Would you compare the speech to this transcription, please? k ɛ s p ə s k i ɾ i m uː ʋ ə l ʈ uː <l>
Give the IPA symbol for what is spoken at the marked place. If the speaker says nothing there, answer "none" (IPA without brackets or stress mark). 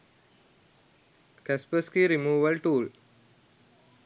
l